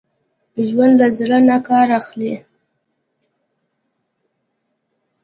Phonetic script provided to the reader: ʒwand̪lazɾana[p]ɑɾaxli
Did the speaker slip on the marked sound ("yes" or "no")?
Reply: yes